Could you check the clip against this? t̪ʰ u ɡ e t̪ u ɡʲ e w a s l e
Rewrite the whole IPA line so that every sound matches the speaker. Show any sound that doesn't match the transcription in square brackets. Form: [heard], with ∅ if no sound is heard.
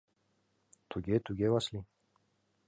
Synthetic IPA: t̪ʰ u ɡ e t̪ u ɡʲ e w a s l [i]